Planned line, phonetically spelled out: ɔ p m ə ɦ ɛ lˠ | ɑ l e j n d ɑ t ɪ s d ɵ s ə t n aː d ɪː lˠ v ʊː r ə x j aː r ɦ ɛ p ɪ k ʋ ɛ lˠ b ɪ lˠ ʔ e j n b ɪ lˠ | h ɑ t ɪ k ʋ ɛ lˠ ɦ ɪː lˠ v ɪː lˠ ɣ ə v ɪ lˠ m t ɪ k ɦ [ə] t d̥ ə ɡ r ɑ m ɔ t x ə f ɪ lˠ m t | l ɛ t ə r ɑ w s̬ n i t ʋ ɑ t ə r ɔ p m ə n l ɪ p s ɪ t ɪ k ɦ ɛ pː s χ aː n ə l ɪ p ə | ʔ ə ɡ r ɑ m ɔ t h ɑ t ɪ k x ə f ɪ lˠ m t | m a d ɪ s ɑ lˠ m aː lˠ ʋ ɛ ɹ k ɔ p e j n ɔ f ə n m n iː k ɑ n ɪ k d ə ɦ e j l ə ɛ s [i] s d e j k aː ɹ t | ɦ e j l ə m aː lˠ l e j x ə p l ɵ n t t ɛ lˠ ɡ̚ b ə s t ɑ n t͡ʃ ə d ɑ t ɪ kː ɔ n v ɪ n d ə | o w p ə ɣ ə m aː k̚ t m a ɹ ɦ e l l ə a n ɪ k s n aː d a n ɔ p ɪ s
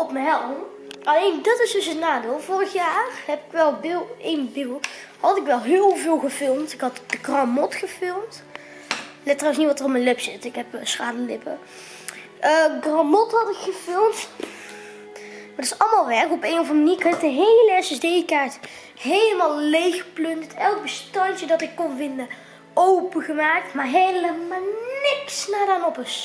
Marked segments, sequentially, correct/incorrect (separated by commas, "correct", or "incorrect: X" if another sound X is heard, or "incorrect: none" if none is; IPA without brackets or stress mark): incorrect: ɑ, incorrect: ɛ